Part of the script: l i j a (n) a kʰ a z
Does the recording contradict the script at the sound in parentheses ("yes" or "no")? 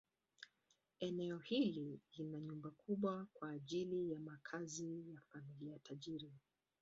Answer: yes